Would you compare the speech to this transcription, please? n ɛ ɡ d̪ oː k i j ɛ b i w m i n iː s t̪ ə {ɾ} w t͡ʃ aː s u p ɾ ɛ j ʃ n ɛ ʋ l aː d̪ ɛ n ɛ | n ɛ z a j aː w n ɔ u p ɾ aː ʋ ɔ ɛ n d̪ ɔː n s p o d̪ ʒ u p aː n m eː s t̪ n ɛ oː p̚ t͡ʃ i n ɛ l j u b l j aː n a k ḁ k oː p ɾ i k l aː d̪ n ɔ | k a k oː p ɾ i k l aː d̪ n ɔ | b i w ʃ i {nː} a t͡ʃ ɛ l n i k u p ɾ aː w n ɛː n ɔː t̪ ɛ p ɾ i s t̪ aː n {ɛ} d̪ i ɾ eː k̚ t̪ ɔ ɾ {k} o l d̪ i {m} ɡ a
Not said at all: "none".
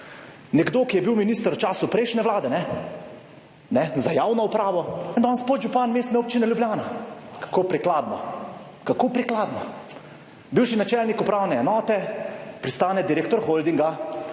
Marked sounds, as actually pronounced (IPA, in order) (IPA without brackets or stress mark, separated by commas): ɾ, n, ɛ, x, ŋ